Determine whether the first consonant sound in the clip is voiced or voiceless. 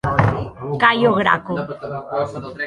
voiceless